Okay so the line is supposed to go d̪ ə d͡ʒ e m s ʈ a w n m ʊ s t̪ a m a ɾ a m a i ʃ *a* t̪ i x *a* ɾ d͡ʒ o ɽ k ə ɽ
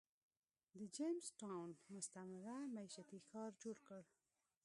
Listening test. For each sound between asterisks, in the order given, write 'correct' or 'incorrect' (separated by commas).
correct, incorrect